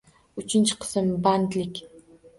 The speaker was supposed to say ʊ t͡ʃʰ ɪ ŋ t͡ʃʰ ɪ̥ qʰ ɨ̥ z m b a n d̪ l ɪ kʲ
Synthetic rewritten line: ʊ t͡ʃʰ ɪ n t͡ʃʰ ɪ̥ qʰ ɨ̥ s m b a n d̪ l ɪ kʲ